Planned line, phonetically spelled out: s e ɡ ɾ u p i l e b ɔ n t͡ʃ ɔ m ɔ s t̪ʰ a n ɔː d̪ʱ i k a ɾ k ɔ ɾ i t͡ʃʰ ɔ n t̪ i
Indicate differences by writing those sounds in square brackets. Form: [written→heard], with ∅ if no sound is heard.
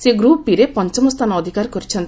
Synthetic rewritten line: s e ɡ ɾ u p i [l→ɾ] e [b→p] ɔ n t͡ʃ ɔ m ɔ s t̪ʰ a n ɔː d̪ʱ i k a ɾ k ɔ ɾ i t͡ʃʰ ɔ n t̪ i